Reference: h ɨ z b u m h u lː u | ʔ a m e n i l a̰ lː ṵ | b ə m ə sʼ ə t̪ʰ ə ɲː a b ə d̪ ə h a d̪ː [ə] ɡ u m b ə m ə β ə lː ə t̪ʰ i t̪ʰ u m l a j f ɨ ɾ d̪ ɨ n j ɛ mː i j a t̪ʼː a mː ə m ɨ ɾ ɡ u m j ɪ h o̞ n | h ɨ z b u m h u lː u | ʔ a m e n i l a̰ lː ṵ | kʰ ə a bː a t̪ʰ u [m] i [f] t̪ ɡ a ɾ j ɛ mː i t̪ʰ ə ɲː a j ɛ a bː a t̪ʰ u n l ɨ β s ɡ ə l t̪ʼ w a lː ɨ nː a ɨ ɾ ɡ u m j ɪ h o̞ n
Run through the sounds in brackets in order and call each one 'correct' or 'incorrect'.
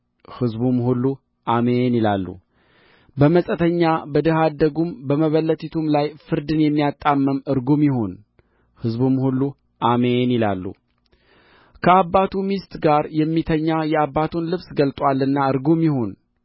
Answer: correct, correct, incorrect: s

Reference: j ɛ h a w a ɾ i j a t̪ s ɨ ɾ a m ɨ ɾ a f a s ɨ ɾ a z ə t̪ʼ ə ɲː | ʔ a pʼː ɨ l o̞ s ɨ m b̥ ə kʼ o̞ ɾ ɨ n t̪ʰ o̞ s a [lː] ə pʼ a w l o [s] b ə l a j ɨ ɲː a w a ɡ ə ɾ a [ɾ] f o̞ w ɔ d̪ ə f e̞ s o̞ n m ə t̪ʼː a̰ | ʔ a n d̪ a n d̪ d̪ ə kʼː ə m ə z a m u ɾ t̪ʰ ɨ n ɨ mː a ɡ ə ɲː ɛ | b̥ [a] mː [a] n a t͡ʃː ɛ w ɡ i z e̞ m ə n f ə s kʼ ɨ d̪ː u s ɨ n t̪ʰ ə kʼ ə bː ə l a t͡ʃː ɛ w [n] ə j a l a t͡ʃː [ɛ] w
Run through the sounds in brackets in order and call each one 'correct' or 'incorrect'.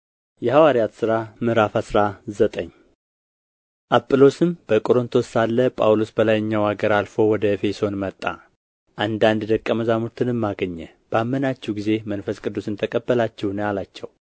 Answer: correct, correct, incorrect: l, correct, incorrect: ə, correct, correct

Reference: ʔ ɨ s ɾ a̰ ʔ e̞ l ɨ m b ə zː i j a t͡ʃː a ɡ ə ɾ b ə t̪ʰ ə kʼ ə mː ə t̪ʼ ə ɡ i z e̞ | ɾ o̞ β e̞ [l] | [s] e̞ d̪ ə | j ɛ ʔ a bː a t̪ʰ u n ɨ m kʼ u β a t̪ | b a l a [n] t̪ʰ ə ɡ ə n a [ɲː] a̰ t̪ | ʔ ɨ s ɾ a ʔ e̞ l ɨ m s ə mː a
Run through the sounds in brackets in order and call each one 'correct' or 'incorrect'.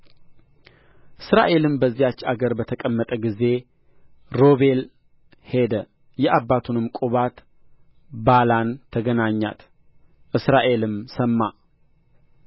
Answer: correct, incorrect: h, correct, correct

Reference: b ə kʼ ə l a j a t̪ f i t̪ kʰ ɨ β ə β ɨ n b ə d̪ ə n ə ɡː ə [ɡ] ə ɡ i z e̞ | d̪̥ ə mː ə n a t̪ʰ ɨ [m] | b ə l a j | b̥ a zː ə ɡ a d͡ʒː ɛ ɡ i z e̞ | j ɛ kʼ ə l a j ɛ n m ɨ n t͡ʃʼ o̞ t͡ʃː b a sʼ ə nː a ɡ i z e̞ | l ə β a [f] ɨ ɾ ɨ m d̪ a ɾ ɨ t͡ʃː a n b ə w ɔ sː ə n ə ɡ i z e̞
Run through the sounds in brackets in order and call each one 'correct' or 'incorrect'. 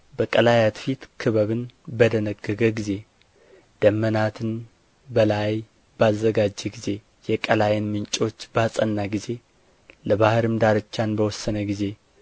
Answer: correct, incorrect: n, incorrect: h

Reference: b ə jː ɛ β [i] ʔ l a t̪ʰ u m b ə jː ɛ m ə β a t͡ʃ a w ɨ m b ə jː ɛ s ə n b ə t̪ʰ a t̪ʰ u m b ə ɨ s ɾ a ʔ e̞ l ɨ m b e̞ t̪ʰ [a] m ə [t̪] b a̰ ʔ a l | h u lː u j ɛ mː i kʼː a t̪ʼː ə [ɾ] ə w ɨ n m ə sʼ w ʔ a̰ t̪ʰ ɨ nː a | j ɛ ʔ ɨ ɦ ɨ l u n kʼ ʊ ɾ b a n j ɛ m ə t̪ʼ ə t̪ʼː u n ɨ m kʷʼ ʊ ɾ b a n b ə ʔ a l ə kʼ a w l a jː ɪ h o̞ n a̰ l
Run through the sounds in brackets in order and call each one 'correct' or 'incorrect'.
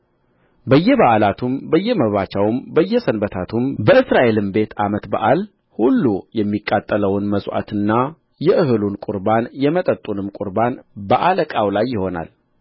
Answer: incorrect: a, correct, correct, incorrect: l

